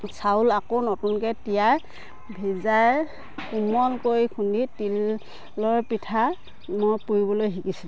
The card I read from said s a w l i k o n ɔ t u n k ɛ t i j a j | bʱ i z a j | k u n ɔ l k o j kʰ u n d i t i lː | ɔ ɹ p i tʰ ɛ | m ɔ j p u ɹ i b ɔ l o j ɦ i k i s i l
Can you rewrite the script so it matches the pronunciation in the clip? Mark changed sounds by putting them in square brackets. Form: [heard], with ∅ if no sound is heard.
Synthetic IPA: s a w l [a] k o n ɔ t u n k ɛ t i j a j | bʱ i z a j | k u [m] ɔ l k o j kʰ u n d i t i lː | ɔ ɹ p i tʰ [a] | m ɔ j p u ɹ i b ɔ l o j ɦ i k i s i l

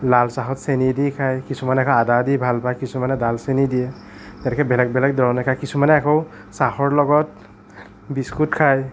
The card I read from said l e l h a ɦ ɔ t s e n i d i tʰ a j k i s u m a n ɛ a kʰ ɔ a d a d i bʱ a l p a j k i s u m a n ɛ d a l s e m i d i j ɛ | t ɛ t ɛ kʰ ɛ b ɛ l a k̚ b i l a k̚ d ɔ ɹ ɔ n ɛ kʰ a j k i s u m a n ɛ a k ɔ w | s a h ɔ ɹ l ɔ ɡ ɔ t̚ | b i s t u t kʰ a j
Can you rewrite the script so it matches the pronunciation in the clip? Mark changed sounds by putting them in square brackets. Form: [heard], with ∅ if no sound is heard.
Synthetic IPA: l [a] l [s] a ɦ ɔ t s e n i d i [kʰ] a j k i s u m a n ɛ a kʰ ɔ a d a d i bʱ a l p a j k i s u m a n ɛ d a l s e [n] i d i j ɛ | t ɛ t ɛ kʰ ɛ b ɛ l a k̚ b [ɛ] l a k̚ d ɔ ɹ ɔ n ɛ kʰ a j k i s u m a n ɛ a k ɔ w | s a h ɔ ɹ l ɔ ɡ ɔ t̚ | b i s [k] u t kʰ a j

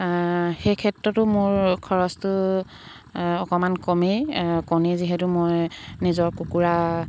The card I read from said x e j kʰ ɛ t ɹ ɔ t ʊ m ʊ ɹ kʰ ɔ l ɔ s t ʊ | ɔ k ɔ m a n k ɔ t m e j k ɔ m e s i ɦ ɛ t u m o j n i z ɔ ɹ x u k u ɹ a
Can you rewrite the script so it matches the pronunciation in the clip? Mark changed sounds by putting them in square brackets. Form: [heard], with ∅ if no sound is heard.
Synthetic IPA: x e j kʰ ɛ t ɹ ɔ t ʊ m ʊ ɹ kʰ ɔ [ɹ] ɔ s t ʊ | ɔ k ɔ m a n k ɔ [∅] m e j k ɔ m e [z] i ɦ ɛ t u m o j n i z ɔ ɹ [k] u k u ɹ a

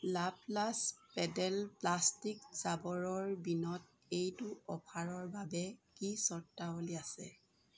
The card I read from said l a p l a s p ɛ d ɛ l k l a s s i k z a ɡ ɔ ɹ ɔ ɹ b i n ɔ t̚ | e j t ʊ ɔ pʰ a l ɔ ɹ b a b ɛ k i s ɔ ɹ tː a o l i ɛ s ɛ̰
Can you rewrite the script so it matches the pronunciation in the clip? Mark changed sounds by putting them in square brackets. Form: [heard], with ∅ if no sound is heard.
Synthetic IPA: l a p l a s p ɛ d ɛ l [p] l a s [t] i k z a [b] ɔ ɹ ɔ ɹ b i n ɔ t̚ | e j t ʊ ɔ pʰ a [ɹ] ɔ ɹ b a b ɛ k i s ɔ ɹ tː a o l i [a] s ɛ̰

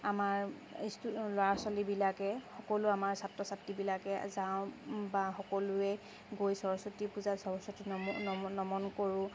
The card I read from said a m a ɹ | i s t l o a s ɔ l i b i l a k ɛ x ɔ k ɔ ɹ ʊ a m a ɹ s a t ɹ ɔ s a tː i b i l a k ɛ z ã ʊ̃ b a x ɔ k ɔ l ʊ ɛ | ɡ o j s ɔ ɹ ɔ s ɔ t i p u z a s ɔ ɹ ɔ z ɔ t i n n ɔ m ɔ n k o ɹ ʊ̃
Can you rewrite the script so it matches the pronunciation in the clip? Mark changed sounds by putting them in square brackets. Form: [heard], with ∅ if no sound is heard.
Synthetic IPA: a m a ɹ | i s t l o a s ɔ l i b i l a k ɛ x ɔ k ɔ [l] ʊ a m a ɹ s a t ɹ ɔ s a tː i b i l a k ɛ z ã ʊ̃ b a x ɔ k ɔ l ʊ ɛ | ɡ o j s ɔ ɹ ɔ s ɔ t i p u z a s ɔ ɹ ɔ [s] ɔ t i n n ɔ m ɔ n k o ɹ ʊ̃

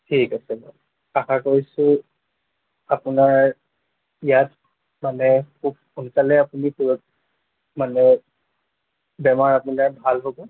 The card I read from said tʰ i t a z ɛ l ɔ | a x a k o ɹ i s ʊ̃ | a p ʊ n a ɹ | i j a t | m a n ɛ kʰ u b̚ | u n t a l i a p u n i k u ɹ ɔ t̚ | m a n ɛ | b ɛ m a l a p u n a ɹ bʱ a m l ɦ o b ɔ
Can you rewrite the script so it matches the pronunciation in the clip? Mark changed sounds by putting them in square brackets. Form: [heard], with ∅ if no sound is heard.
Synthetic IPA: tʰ i [k] a [s] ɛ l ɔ | a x a k o ɹ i s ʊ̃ | a p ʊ n a ɹ | i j a t | m a n ɛ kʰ u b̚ | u n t a l [ɛ] a p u n i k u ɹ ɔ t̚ | m a n ɛ | b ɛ m a [ɹ] a p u n a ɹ bʱ a [∅] l ɦ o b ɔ

